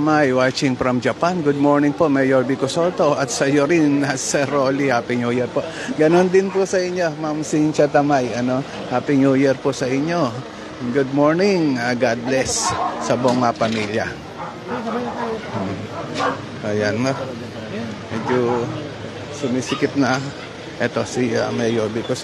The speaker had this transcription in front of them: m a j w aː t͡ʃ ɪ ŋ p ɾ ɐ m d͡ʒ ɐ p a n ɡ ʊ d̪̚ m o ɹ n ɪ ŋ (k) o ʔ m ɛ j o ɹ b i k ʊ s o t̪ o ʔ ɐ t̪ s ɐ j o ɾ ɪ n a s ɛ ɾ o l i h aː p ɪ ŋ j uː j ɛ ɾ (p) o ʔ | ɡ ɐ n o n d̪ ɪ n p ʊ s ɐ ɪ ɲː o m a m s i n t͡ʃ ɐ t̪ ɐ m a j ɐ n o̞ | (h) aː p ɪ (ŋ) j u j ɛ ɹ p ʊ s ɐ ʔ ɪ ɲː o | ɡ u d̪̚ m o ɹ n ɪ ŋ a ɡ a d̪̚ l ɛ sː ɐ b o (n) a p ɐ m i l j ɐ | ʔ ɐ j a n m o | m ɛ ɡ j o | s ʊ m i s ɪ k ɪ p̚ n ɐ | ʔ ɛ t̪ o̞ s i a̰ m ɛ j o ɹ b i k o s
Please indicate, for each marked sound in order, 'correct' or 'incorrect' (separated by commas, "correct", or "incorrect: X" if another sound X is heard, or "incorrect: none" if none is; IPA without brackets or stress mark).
incorrect: p, correct, correct, correct, incorrect: ŋ